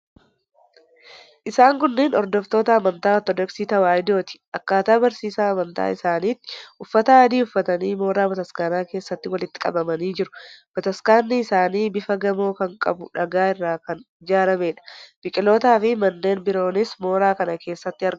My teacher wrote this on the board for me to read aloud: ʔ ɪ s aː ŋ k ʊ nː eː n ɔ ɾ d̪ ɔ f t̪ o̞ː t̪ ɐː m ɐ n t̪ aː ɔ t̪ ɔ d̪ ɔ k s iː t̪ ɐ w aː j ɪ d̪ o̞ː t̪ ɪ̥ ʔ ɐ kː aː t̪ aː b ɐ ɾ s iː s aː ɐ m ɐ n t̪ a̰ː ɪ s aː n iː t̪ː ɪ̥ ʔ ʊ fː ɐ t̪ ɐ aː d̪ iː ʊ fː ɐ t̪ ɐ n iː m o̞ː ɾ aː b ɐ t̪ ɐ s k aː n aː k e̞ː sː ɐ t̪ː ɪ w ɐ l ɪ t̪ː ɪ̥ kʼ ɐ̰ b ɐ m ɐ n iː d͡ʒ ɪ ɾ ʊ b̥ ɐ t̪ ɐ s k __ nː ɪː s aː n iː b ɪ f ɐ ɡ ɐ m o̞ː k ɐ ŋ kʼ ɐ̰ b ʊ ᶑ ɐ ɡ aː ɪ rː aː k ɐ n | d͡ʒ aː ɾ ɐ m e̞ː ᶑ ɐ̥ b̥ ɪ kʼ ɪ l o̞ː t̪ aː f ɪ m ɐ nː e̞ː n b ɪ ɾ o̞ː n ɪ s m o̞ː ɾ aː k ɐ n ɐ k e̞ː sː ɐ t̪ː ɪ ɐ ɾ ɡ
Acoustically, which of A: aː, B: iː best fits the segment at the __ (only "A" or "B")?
A